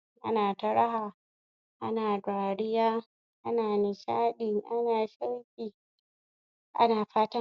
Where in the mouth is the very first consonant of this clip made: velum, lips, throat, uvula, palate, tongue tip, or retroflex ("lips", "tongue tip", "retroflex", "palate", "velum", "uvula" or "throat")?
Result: throat